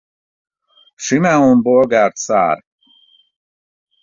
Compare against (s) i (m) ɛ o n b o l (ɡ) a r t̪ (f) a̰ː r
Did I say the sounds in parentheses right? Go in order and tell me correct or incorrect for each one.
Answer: incorrect: ʃ, correct, correct, incorrect: s

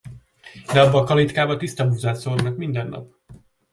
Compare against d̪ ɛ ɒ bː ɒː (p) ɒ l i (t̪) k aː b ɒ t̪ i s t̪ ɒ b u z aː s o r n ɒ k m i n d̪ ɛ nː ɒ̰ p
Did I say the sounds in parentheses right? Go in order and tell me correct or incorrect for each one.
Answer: incorrect: k, correct

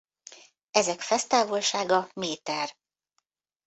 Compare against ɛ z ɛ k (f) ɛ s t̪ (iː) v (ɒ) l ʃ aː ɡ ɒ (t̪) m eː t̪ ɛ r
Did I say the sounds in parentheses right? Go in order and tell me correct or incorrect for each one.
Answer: correct, incorrect: aː, incorrect: o, incorrect: none

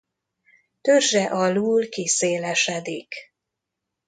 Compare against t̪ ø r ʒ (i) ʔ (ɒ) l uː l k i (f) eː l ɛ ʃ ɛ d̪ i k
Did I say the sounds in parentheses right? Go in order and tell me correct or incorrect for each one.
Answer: incorrect: ɛ, correct, incorrect: s

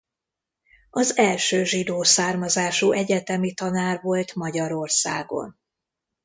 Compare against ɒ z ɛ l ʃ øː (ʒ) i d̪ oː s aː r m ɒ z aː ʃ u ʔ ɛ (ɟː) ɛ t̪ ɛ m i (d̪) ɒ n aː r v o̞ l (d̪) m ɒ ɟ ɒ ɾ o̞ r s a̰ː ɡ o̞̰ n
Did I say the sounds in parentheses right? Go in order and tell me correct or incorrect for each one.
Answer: correct, incorrect: ɟ, incorrect: t̪, incorrect: t̪

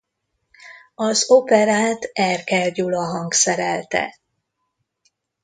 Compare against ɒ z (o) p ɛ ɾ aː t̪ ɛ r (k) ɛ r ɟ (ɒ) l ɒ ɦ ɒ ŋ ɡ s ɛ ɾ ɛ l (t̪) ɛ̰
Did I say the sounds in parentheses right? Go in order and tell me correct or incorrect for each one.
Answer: correct, correct, incorrect: u, correct

